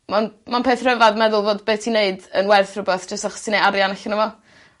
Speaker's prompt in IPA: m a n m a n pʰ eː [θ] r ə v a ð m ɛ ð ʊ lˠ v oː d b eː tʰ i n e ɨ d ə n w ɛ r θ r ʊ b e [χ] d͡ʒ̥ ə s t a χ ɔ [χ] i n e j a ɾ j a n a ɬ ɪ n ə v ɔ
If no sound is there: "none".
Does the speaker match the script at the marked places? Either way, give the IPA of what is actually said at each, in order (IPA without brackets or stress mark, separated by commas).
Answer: θ, θ, s